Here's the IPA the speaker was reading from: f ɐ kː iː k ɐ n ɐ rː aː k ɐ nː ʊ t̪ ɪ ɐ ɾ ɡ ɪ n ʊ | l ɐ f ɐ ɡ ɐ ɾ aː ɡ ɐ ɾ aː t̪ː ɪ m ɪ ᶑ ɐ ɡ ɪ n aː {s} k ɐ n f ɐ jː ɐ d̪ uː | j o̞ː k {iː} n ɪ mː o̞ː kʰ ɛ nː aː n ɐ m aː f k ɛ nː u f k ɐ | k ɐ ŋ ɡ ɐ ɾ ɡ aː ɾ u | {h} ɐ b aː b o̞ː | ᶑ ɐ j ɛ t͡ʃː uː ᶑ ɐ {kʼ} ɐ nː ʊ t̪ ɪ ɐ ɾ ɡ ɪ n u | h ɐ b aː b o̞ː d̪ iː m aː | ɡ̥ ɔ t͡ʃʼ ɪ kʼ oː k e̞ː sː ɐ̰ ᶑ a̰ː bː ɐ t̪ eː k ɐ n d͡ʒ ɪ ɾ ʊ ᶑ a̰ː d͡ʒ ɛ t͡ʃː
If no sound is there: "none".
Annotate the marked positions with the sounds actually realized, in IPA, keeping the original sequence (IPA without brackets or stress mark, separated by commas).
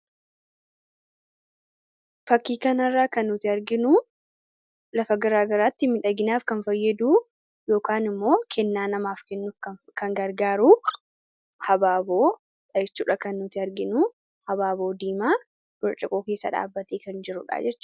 f, aː, h, k